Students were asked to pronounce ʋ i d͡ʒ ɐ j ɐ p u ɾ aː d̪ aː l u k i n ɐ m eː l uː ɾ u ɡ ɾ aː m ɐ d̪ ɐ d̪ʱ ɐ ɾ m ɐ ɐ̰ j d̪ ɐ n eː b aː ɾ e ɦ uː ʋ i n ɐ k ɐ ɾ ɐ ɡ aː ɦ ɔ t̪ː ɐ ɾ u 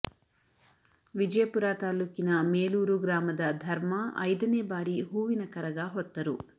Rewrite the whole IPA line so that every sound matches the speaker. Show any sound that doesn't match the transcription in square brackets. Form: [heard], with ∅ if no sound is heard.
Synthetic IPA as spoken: ʋ i d͡ʒ ɐ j ɐ p u ɾ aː [t̪] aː l u k i n ɐ m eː l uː ɾ u ɡ ɾ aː m ɐ d̪ ɐ d̪ʱ ɐ ɾ m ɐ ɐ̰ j d̪ ɐ n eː b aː ɾ [i] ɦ uː ʋ i n ɐ k ɐ ɾ ɐ ɡ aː ɦ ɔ t̪ː ɐ ɾ u